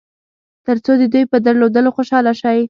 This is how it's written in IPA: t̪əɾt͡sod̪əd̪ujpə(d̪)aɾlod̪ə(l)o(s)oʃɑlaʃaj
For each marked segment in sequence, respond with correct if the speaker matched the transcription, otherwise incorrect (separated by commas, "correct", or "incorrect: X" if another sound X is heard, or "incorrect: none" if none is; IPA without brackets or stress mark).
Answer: correct, correct, incorrect: x